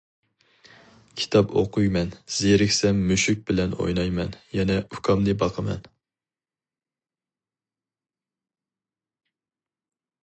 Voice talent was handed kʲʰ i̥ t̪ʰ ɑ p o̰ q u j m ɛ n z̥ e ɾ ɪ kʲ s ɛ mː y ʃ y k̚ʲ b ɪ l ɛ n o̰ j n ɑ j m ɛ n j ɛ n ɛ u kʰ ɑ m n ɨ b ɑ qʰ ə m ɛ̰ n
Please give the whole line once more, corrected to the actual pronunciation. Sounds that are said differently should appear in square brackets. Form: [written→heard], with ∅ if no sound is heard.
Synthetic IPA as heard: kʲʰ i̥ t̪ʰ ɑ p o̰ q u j m ɛ n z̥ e ɾ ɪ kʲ s ɛ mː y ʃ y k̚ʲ b ɪ l ɛ n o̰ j n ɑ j m ɛ n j ɛ n ɛ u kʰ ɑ m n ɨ b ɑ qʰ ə m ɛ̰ n